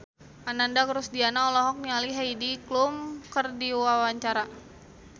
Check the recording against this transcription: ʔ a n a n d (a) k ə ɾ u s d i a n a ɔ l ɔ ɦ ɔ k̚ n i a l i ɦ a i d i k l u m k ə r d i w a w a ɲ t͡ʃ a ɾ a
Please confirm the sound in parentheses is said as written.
yes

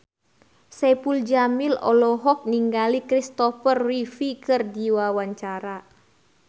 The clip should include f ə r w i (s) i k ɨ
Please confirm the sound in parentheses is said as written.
no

